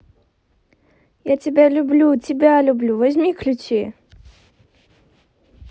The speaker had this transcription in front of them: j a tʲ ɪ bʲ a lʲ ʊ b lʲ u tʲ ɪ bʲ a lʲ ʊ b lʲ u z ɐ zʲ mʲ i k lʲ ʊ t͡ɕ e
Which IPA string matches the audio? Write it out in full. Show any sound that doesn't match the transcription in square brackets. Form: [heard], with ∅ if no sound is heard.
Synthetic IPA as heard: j a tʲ ɪ bʲ a lʲ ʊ b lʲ u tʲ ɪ bʲ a lʲ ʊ b lʲ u [v] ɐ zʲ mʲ i k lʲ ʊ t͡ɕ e